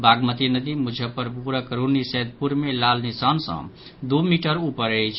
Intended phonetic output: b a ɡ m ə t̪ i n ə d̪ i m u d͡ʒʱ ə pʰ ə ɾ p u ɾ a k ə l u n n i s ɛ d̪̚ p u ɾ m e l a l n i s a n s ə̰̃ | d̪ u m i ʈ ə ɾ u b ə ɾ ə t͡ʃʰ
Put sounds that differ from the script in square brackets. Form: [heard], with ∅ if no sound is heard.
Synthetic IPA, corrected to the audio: b a ɡ m ə t̪ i n ə d̪ i m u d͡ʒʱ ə [p] ə ɾ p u ɾ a k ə [ɾ] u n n i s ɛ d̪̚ p u ɾ m e l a l n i s a n s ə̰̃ | d̪ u m i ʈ ə ɾ u [p] ə ɾ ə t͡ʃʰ